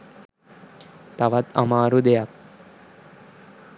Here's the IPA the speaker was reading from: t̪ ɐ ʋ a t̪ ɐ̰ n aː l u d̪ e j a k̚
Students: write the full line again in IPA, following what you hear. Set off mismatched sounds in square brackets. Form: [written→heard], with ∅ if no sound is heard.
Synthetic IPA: t̪ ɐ ʋ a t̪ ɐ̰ [n→m] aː [l→ɾ] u d̪ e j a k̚